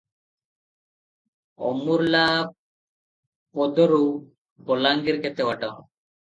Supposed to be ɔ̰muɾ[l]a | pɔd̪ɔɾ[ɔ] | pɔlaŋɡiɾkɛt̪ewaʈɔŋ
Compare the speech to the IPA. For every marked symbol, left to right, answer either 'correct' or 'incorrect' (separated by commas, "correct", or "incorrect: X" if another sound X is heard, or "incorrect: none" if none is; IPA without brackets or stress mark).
correct, incorrect: u